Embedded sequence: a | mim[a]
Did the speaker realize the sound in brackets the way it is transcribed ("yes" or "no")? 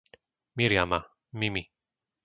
no